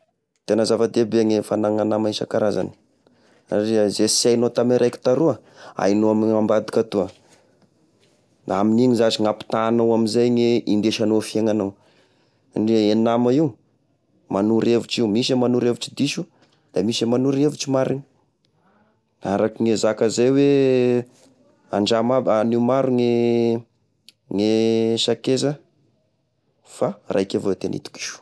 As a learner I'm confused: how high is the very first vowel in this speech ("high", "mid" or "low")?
mid